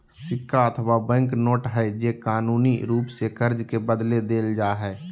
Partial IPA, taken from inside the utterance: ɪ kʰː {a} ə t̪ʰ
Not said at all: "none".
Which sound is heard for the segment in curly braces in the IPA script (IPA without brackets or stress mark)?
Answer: a